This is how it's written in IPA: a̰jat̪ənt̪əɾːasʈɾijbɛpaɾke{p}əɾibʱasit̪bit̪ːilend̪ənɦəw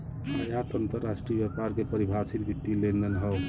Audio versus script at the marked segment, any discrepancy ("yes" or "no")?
no